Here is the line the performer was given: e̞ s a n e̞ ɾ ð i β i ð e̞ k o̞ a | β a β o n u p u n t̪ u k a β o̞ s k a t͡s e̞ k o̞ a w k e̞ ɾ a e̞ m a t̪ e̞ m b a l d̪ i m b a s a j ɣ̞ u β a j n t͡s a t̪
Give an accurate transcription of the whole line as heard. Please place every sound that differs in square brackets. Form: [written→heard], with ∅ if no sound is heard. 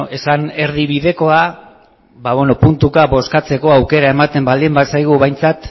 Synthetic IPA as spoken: e̞ s a n e̞ ɾ ð i β i ð e̞ k o̞ a | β a β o n [u→o] p u n t̪ u k a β o̞ s k a t͡s e̞ k o̞ a w k e̞ ɾ a e̞ m a t̪ e̞ m b a l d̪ i m b a s a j ɣ̞ u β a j n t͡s a t̪